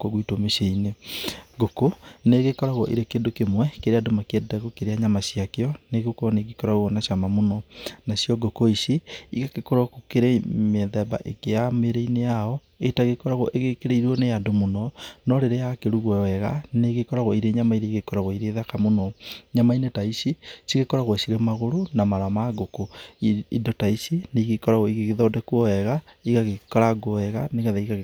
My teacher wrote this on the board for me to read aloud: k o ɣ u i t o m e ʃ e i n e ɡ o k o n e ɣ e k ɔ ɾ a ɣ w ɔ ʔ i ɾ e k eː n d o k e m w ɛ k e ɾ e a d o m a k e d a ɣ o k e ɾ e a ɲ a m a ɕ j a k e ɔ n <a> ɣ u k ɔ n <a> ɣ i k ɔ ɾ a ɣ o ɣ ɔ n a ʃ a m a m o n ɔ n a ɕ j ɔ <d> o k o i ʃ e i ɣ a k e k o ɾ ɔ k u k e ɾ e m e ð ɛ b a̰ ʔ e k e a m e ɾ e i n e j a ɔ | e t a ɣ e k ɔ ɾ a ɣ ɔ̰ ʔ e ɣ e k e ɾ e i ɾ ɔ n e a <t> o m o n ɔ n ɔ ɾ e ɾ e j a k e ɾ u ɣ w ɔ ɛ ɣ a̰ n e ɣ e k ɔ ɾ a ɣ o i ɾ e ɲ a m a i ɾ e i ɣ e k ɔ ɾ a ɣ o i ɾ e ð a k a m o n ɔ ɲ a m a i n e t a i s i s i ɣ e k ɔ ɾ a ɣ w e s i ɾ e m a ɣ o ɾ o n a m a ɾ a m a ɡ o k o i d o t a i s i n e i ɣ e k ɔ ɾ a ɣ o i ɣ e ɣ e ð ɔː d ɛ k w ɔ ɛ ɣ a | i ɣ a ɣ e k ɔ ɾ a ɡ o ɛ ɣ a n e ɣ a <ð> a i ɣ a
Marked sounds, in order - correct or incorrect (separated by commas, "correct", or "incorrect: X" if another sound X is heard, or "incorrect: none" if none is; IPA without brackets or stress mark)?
incorrect: e, incorrect: e, incorrect: ɡ, incorrect: d, correct